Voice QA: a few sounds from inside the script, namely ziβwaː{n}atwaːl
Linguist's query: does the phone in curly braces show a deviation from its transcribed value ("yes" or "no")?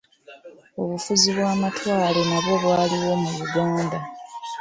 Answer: yes